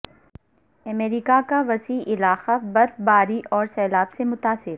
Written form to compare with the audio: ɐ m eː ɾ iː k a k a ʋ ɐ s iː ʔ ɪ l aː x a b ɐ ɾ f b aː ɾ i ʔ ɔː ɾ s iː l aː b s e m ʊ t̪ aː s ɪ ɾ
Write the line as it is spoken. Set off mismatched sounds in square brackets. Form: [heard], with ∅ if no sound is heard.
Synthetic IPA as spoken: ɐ m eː ɾ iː k a k a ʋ ɐ s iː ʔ ɪ l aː x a b ɐ ɾ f b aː ɾ i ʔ ɔː ɾ s [ɛː] l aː b s e m ʊ t̪ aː s ɪ ɾ